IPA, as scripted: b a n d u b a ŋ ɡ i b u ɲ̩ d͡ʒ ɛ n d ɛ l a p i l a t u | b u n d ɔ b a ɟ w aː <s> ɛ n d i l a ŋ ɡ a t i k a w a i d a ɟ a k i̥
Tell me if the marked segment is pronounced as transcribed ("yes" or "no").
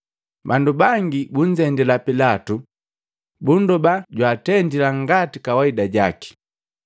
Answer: no